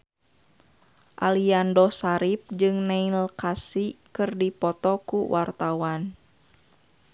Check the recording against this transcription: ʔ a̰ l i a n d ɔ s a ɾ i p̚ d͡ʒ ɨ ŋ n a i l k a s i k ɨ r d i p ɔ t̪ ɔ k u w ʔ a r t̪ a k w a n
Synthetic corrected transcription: ʔ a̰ l i a n d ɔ s a ɾ i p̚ d͡ʒ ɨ ŋ n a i l k a s i k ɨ r d i p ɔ t̪ ɔ k u w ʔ a r t̪ a w a n